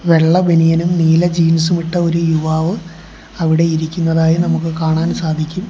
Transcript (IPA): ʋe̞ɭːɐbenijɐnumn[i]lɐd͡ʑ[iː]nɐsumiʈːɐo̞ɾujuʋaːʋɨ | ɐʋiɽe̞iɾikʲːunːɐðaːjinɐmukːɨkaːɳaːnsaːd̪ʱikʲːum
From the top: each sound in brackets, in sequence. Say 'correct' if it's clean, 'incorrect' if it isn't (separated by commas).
incorrect, correct